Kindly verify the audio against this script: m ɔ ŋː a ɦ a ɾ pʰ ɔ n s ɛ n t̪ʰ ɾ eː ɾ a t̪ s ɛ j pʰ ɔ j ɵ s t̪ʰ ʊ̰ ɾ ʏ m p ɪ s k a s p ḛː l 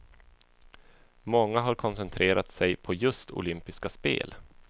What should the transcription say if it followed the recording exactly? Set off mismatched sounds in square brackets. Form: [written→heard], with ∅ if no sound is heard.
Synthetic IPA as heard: m ɔ ŋː a ɦ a ɾ [pʰ→kʰ] ɔ n s ɛ n t̪ʰ ɾ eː ɾ a t̪ s ɛ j pʰ ɔ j ɵ s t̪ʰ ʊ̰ [ɾ→l] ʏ m p ɪ s k a s p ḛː l